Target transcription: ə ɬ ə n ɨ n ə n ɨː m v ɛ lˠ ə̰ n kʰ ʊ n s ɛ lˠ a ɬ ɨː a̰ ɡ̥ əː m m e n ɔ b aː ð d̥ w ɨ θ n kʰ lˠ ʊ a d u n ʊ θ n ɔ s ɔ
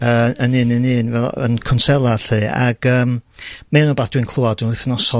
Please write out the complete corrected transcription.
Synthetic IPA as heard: ə ə n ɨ n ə n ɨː n v ɛ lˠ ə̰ n kʰ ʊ n s ɛ lˠ a ɬ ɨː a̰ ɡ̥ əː m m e n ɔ b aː θ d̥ w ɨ n kʰ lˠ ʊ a d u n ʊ θ n ɔ s ɔ